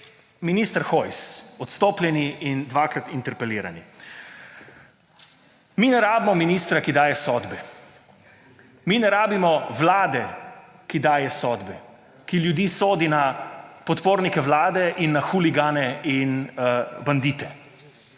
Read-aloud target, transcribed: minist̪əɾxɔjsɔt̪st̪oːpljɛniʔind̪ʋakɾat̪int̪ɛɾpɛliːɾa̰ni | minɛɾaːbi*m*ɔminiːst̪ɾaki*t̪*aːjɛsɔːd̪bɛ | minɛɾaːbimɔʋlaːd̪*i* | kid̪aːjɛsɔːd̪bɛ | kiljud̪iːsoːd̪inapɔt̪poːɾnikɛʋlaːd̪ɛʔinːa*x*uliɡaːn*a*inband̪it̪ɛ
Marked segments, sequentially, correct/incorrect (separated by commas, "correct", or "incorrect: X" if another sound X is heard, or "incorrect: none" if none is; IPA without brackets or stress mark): correct, incorrect: d̪, incorrect: ɛ, correct, incorrect: ɛ